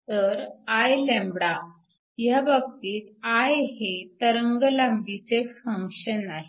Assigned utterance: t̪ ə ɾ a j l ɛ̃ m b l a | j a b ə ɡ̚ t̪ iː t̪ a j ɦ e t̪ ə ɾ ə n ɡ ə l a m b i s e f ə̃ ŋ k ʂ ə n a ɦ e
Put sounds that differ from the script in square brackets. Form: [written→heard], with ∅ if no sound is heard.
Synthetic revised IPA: t̪ ə ɾ a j l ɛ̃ m b [l→ɽ] a | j a b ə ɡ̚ t̪ iː t̪ a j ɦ e t̪ ə ɾ ə [n→ŋ] ɡ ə l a m b i [s→t͡s] e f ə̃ ŋ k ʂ ə n a ɦ e